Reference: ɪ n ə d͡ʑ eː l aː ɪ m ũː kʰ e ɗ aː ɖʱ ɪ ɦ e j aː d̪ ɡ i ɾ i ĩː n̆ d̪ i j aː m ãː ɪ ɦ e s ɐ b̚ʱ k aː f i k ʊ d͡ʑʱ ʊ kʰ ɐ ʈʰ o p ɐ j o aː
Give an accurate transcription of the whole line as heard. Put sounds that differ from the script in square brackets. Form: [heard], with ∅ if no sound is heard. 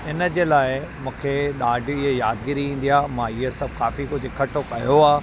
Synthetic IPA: ɪ n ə d͡ʑ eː l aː ɪ m ũː kʰ e ɗ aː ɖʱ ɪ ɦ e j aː d̪ ɡ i ɾ i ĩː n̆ d̪ i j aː m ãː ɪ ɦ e s ɐ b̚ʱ k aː f i k ʊ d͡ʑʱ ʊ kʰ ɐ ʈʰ o [k] ɐ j o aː